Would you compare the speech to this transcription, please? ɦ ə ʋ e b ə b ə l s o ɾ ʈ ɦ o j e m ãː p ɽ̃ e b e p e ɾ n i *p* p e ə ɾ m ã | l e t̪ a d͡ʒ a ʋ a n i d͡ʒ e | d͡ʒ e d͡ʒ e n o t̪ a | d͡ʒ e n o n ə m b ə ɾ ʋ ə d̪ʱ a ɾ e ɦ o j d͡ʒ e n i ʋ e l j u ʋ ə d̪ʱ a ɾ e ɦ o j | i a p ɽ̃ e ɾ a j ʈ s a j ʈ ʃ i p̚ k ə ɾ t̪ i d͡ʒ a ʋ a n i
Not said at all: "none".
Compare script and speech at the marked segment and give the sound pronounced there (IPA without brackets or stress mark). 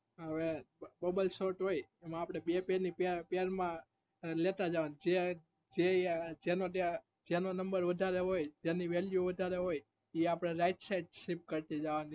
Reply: p